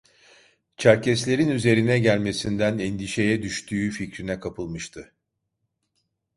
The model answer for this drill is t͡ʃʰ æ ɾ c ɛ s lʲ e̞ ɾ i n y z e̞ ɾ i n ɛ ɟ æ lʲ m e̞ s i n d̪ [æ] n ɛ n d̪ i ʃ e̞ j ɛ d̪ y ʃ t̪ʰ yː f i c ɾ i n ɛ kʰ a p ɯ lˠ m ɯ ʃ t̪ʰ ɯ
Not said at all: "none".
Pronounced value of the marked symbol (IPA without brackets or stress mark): æ